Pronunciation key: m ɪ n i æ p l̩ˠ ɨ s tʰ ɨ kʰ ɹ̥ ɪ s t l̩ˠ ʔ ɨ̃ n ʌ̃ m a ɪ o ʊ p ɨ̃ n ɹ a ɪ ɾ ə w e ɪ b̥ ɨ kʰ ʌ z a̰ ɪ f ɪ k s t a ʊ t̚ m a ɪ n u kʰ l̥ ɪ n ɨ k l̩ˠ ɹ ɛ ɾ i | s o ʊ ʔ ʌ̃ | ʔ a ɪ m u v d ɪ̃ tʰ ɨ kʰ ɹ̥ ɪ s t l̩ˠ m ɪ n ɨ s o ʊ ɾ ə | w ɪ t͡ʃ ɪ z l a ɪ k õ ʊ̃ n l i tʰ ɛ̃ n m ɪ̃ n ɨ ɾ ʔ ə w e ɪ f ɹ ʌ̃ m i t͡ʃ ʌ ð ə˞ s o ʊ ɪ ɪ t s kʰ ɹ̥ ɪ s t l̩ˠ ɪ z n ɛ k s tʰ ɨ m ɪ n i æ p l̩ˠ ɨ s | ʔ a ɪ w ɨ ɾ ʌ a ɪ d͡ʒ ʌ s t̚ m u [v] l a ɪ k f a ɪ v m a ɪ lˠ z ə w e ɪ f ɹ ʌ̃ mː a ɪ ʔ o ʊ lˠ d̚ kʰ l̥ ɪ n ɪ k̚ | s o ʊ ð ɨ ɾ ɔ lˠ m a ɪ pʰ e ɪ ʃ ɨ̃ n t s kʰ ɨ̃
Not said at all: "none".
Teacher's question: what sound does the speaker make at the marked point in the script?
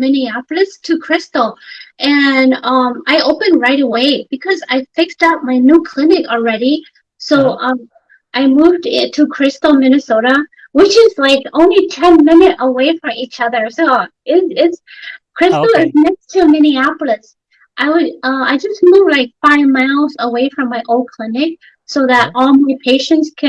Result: v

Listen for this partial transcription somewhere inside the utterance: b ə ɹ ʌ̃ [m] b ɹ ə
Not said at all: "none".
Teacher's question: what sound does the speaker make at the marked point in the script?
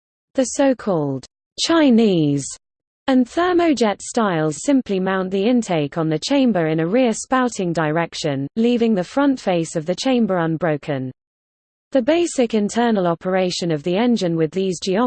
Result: n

